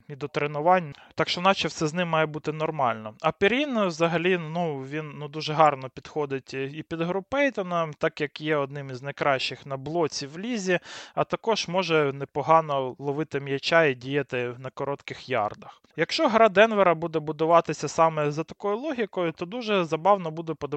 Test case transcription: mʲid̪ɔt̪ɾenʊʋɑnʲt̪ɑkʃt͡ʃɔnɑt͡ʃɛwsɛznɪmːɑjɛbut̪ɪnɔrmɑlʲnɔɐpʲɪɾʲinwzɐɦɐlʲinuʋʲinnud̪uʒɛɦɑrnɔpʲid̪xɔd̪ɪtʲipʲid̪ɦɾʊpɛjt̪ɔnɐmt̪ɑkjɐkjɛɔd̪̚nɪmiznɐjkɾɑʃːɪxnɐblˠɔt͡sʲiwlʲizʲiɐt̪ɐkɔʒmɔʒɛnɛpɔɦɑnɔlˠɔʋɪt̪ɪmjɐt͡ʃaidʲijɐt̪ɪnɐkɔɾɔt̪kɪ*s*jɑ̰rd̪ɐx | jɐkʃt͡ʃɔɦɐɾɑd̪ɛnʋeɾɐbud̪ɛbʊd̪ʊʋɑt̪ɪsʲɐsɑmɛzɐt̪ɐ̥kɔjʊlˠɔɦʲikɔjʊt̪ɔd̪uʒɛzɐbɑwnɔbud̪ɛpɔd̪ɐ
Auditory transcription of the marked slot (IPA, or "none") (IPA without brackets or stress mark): x